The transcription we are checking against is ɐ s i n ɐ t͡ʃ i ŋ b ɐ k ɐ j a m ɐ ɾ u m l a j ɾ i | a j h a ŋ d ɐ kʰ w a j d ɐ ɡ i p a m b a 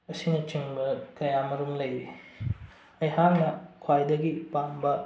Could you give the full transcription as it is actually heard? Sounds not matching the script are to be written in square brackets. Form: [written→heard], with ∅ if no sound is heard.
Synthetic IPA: ɐ s i n ɐ t͡ʃ i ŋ b ɐ k ɐ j a m ɐ ɾ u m l [a→ɐ] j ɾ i | [a→ɐ] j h a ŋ [d→n] ɐ kʰ w a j d ɐ ɡ i p a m b [a→ɐ]